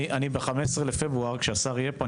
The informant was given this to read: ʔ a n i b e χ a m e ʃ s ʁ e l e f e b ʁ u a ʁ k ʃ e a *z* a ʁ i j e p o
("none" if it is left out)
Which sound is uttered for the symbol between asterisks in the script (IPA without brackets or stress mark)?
s